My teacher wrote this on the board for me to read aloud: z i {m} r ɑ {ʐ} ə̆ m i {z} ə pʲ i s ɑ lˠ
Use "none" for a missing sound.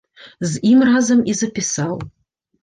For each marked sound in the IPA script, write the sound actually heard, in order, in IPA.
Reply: m, z, z

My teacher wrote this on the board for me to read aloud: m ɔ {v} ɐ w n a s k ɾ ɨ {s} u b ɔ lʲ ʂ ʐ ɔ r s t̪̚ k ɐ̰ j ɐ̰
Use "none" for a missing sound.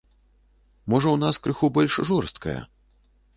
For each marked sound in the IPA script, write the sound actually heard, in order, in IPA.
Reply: ʐ, x

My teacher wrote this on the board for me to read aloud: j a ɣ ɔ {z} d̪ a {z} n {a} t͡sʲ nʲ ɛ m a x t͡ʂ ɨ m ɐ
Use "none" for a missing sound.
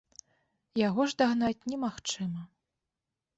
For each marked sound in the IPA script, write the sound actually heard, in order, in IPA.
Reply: ʐ, ɣ, a

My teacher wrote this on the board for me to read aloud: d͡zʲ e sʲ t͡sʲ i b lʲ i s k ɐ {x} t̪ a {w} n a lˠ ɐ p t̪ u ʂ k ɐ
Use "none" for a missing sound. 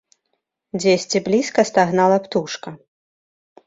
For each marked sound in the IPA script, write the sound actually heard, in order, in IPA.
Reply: s, ɣ

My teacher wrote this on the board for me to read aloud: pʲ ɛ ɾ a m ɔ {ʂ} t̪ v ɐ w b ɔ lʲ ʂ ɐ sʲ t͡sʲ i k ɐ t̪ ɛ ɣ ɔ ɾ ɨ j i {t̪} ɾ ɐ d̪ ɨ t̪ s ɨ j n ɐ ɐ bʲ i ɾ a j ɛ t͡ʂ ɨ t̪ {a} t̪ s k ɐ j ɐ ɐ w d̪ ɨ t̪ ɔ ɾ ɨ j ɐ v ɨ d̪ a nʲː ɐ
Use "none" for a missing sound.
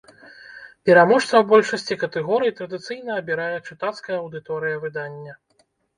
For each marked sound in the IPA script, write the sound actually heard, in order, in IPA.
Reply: ʂ, t̪, a

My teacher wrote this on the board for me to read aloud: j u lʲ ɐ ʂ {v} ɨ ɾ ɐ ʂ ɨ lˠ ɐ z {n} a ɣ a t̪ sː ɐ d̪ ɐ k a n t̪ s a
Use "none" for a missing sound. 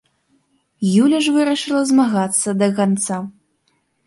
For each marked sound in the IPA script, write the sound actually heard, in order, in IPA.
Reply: v, m

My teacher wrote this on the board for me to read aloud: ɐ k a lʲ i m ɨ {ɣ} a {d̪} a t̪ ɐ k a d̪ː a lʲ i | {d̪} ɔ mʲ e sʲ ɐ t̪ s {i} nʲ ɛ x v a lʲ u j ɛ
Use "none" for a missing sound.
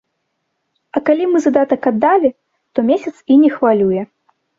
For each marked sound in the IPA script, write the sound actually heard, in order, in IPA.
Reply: z, d̪, t̪, i

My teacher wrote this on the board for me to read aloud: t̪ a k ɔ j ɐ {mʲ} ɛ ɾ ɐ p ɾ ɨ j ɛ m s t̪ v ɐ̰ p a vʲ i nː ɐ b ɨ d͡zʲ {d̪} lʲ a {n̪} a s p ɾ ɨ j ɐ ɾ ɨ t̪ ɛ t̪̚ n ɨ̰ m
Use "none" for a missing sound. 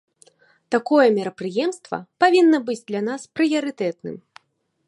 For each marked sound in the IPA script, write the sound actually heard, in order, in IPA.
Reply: mʲ, d̪, n̪

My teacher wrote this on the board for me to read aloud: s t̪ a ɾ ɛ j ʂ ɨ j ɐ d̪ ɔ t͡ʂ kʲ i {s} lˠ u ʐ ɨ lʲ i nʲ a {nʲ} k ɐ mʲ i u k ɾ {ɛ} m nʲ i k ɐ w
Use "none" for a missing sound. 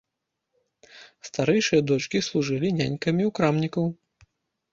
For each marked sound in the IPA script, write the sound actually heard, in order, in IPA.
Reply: s, nʲ, a

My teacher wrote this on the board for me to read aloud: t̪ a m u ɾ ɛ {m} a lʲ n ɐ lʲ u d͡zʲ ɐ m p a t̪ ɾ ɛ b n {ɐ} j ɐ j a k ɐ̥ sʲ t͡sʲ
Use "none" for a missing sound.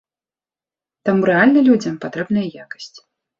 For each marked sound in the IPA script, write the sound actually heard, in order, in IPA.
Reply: none, ɐ

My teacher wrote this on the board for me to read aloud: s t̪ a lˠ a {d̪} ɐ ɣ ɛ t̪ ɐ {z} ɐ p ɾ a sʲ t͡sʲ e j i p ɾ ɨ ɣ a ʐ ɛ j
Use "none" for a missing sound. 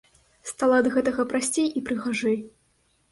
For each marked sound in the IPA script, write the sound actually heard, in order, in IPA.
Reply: d̪, ɣ

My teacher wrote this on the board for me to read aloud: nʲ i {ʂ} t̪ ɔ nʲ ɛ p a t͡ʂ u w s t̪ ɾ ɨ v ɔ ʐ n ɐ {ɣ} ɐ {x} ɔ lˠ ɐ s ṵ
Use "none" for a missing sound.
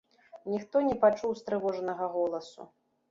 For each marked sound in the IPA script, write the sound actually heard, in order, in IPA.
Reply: x, ɣ, ɣ

